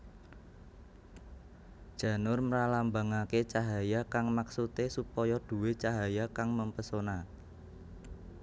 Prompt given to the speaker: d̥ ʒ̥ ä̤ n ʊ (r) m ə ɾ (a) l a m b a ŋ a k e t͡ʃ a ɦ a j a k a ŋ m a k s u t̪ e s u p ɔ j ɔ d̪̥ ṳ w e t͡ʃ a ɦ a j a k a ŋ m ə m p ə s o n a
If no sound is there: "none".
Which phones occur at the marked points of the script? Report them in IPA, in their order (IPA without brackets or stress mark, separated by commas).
r, a